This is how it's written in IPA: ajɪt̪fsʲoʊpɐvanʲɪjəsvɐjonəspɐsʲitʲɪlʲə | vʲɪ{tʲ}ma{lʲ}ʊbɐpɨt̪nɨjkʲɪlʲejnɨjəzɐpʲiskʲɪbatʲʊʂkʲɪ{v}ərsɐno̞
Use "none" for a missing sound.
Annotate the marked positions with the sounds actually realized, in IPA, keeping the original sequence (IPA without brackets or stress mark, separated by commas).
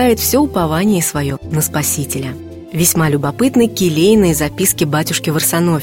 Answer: sʲ, lʲ, v